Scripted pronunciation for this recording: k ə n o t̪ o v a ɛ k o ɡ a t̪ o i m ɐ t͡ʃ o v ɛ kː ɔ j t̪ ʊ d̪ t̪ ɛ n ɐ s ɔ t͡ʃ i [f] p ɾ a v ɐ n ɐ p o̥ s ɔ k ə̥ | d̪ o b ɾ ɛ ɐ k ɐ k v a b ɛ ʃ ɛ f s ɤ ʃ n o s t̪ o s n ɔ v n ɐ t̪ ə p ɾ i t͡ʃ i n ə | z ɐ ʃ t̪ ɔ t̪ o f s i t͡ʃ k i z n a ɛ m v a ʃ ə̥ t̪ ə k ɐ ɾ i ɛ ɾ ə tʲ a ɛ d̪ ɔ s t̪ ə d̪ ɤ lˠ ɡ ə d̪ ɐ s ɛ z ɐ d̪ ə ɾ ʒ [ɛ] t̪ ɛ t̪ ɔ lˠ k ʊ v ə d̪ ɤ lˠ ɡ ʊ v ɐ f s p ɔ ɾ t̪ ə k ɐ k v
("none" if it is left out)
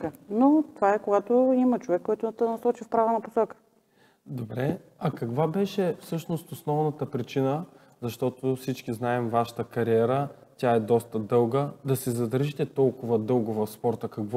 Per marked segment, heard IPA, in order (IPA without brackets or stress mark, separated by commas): f, i